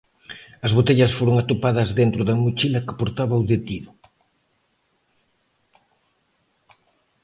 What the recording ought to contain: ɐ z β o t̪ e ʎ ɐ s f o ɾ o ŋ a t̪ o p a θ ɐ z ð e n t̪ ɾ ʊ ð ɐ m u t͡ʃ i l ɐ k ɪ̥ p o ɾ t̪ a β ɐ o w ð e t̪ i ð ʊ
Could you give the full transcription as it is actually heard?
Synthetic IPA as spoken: ɐ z β o t̪ e ʎ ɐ s f o ɾ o ŋ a t̪ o p a ð ɐ z ð e n t̪ ɾ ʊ ð ɐ m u t͡ʃ i l ɐ k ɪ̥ p o ɾ t̪ a β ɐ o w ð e t̪ i ð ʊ